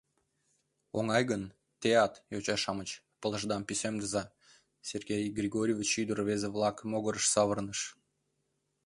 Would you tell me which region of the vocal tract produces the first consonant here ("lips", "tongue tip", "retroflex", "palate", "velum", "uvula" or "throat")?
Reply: velum